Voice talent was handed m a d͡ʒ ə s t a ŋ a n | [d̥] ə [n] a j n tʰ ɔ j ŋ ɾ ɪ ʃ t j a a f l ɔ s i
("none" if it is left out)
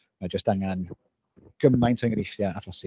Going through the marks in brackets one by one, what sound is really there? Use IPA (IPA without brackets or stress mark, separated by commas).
ɡ̥, m